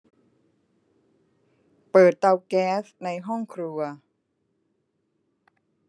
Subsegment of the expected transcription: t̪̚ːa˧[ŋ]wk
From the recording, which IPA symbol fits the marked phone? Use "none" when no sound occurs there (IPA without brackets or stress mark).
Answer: none